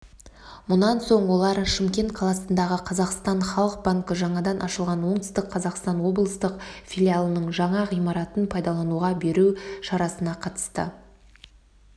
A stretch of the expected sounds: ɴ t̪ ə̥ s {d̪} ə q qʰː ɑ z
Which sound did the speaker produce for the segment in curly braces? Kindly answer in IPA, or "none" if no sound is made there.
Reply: t̪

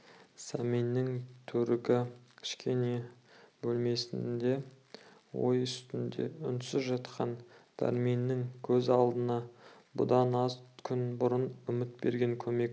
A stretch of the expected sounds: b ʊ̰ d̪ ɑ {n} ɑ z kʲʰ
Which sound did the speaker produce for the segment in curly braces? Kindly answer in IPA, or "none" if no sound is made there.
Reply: n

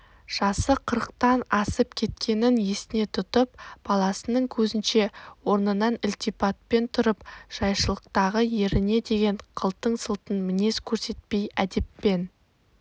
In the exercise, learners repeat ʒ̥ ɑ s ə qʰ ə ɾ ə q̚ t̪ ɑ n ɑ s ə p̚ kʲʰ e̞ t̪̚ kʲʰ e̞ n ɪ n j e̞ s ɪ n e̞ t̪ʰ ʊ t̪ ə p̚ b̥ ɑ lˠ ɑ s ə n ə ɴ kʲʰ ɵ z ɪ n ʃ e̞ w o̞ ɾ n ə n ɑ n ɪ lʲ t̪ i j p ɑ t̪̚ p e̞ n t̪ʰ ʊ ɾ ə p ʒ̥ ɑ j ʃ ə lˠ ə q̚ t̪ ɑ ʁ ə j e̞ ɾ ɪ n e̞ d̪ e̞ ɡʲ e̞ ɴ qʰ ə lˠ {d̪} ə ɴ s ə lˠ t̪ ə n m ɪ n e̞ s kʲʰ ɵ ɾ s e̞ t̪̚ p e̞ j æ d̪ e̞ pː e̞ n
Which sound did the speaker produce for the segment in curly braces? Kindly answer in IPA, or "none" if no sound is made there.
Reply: t̪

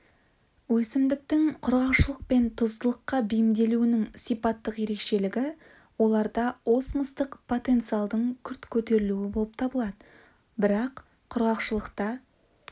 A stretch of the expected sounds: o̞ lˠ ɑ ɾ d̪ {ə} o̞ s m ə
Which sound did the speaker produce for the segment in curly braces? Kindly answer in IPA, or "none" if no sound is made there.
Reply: ɑ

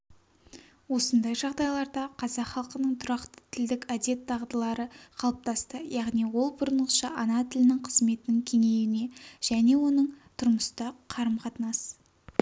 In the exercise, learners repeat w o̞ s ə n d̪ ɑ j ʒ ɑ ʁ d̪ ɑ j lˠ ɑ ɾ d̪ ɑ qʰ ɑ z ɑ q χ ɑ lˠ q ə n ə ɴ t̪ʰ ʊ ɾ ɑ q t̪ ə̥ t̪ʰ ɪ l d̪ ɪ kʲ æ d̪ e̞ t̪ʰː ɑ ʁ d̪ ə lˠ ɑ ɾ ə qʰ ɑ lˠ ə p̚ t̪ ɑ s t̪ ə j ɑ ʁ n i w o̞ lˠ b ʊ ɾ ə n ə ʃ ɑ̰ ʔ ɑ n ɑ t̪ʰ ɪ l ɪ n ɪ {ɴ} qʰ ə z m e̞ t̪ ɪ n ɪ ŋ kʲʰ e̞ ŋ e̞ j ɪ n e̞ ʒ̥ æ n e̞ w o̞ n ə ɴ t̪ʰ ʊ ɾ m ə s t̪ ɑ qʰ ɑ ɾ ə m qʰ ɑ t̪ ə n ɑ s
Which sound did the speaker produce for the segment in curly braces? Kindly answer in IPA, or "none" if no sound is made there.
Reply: ŋ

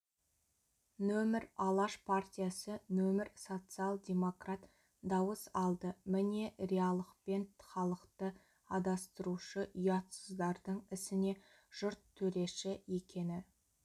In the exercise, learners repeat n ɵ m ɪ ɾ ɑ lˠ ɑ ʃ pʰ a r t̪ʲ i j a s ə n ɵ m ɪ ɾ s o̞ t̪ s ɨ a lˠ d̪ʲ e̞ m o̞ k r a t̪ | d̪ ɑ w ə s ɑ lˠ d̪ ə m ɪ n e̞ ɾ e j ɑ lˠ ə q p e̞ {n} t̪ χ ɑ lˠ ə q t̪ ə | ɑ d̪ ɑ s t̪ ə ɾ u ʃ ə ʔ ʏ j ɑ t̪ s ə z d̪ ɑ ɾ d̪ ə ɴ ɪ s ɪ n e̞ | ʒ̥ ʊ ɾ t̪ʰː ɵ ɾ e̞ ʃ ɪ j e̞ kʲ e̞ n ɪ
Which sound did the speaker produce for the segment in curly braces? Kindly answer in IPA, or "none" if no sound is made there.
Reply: n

